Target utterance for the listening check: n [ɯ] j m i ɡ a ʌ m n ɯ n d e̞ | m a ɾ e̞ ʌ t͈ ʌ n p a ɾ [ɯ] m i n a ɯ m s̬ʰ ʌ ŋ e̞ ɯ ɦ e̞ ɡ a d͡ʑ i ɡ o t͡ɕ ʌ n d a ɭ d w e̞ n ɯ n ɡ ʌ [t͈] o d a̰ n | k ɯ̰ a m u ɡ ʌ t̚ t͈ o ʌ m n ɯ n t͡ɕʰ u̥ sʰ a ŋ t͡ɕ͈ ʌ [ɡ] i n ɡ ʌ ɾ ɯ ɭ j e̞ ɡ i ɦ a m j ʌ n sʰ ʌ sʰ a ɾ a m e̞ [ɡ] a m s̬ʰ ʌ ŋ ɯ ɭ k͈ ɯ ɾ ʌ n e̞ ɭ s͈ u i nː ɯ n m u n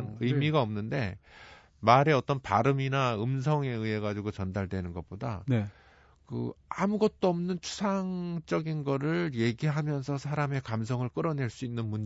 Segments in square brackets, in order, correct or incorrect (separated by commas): correct, correct, incorrect, correct, incorrect